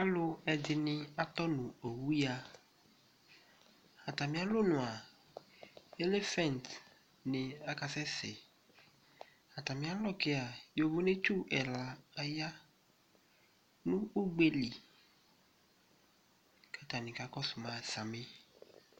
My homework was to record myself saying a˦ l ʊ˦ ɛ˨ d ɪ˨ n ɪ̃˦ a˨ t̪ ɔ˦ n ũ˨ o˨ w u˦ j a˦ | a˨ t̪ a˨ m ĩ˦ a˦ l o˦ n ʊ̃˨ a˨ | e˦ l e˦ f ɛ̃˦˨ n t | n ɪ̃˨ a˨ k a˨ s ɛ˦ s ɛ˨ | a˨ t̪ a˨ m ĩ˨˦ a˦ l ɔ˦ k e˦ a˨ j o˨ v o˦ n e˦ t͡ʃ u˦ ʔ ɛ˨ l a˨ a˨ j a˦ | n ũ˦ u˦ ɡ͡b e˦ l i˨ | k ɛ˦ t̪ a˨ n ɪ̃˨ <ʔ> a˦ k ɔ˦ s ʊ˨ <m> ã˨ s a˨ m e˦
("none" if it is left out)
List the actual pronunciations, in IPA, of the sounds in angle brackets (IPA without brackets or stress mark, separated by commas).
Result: k, m